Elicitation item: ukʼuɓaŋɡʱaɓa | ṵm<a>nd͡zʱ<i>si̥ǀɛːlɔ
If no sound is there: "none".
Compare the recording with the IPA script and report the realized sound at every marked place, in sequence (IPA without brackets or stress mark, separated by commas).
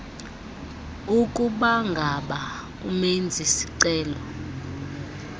e, i